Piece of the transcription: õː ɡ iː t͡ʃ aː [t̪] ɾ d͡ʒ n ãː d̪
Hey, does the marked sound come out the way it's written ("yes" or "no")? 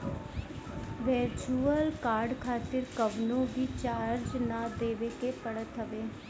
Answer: no